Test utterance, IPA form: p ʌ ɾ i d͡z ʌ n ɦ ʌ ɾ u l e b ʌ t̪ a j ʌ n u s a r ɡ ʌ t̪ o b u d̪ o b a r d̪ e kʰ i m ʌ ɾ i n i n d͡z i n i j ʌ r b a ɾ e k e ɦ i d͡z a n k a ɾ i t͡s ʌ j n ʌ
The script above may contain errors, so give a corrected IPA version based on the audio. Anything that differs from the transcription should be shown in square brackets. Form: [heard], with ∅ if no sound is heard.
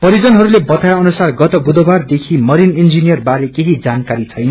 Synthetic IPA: p ʌ ɾ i d͡z ʌ n ɦ ʌ ɾ u l e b ʌ t̪ a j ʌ n u s a r ɡ ʌ t̪ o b u d̪ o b a r d̪ e kʰ i m ʌ ɾ i n i n d͡z i n i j ʌ r b a ɾ e k e ɦ i d͡z a n k a ɾ i [t͡sʰ] ʌ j n ʌ

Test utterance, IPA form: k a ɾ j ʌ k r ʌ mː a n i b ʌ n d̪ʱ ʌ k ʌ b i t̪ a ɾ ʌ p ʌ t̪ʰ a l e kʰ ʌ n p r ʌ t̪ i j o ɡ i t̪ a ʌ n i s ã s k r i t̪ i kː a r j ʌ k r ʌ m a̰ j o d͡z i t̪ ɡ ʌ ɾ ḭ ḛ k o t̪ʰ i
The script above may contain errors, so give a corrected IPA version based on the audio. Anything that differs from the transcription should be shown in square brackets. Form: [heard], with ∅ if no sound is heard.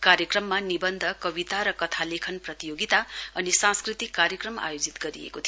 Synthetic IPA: k a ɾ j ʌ k r ʌ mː a n i b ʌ n d̪ʱ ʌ k ʌ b i t̪ a ɾ ʌ [k] ʌ t̪ʰ a l e kʰ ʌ n p r ʌ t̪ i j o ɡ i t̪ a ʌ n i s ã s k r i t̪ i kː a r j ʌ k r ʌ m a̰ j o d͡z i t̪ ɡ ʌ ɾ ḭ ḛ k o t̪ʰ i

